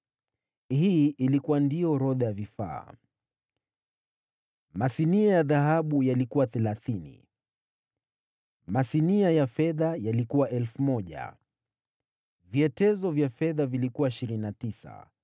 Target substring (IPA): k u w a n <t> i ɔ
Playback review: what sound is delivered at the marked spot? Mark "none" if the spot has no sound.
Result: d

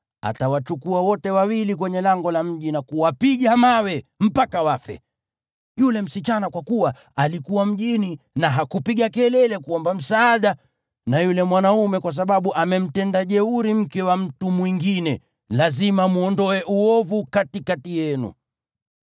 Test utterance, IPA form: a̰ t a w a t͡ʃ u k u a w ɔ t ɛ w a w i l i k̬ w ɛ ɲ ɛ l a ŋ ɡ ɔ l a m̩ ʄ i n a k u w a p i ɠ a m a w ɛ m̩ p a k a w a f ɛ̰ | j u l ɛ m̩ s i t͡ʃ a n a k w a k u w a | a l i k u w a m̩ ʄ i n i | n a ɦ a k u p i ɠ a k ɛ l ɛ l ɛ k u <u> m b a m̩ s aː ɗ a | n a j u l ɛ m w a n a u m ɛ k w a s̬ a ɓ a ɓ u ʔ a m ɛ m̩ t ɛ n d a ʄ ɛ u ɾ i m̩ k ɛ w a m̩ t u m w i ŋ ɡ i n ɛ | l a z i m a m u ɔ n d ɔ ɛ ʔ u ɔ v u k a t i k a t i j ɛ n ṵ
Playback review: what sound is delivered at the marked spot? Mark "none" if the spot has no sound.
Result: ɔ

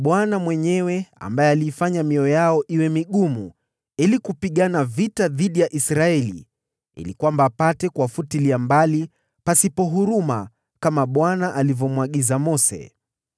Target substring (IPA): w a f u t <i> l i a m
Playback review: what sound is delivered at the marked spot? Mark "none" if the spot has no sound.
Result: i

